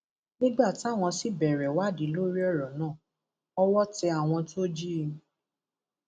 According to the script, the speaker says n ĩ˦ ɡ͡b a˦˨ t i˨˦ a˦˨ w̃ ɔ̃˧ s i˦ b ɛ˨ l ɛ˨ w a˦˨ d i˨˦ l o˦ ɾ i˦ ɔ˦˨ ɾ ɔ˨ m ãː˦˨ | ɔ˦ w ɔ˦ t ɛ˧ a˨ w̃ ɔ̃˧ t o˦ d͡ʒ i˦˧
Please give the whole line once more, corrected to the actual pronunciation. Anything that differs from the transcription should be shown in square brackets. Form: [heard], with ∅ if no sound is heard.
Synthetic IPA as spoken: n ĩ˦ ɡ͡b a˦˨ t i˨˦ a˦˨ w̃ ɔ̃˧ s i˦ b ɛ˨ [ɾ] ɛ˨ w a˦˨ d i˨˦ l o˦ ɾ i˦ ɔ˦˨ ɾ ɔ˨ [n] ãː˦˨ | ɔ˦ w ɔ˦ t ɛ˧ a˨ w̃ ɔ̃˧ t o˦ d͡ʒ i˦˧

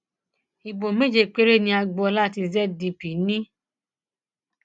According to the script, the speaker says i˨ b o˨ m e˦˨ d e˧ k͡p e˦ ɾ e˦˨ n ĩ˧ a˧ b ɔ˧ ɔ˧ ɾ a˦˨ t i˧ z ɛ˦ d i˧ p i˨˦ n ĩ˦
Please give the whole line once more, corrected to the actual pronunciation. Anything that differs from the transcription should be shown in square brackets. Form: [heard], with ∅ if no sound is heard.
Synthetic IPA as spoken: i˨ b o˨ m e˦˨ [d͡ʒ] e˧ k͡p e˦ ɾ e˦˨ n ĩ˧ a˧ [ɡ͡b] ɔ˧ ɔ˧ [l] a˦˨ t i˧ z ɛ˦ d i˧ p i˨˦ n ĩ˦

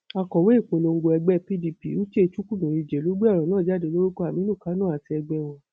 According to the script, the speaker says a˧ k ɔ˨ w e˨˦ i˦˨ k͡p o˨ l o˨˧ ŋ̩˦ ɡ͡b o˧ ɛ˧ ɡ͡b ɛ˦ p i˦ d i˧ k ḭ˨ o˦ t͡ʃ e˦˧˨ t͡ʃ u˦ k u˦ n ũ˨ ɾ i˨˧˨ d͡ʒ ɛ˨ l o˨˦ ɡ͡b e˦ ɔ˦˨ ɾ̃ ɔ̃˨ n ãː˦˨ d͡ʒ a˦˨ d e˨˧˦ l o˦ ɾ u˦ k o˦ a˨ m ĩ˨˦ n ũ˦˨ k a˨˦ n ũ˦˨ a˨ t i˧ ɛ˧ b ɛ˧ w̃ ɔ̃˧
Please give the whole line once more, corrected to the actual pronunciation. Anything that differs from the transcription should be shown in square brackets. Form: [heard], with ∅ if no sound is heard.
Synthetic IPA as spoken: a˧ k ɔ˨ w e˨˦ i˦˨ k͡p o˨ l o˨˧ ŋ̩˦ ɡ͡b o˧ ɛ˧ ɡ͡b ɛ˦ p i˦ d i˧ [p] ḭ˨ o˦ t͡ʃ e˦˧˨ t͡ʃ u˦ k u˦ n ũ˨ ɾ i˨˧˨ d͡ʒ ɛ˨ l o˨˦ ɡ͡b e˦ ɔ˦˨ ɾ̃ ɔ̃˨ n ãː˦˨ d͡ʒ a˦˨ d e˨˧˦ l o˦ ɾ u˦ k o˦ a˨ m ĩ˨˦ n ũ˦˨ k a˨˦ n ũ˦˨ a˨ t i˧ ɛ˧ [ɡ͡b] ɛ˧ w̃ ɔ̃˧

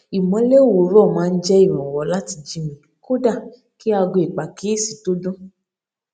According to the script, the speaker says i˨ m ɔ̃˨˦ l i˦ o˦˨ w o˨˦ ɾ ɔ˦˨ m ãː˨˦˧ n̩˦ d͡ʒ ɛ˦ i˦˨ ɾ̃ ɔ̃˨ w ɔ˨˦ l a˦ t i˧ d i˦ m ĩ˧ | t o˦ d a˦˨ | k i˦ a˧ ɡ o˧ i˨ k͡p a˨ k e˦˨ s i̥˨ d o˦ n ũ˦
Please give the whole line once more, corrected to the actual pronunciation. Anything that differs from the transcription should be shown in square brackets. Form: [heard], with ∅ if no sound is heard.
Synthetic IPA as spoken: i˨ m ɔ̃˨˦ l [e˦] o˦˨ w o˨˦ ɾ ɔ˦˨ m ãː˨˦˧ n̩˦ d͡ʒ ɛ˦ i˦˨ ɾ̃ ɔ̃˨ w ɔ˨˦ l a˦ t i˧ [d͡ʒ] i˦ m ĩ˧ | [k] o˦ d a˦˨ | k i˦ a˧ ɡ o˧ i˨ k͡p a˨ k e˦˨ s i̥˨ [t] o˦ [d] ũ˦

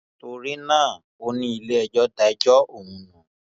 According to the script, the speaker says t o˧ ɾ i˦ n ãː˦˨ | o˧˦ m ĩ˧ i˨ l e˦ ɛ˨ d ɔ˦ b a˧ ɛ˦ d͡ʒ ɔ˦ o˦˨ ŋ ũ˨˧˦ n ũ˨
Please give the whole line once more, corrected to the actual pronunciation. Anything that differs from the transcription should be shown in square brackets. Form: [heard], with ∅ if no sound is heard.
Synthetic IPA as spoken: t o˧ ɾ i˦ n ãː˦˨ | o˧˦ [n] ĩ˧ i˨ l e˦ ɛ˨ [d͡ʒ] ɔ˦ [d] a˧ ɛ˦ d͡ʒ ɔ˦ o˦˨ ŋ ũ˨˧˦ n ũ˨

